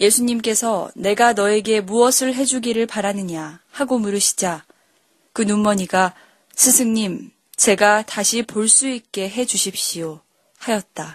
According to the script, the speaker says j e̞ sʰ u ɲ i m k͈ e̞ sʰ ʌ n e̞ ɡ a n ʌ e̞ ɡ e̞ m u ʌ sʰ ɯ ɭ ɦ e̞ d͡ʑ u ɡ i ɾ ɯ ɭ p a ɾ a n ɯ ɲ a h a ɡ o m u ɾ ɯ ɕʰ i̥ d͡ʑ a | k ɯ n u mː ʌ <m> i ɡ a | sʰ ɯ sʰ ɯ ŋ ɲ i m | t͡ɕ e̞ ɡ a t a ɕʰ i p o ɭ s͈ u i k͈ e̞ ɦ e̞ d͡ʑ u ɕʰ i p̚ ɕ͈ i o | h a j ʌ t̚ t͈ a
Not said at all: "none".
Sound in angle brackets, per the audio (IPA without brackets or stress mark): ɲ